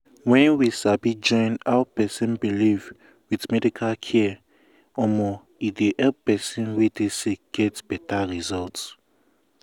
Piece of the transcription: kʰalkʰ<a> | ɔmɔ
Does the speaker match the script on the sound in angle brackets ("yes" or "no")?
no